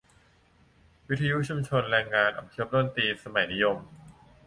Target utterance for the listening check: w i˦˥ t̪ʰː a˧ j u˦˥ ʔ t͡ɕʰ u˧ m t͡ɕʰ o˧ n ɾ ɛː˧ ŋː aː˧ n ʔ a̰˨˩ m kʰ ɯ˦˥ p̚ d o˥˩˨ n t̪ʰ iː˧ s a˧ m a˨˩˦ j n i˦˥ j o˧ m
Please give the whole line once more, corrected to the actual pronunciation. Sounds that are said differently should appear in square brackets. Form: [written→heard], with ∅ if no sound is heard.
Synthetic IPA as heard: w i˦˥ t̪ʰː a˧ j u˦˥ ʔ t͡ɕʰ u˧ m t͡ɕʰ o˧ n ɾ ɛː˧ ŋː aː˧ n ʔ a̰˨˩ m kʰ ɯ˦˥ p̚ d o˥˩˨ n [t̪ʰ→t̪] iː˧ s a˧ m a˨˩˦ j n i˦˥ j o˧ m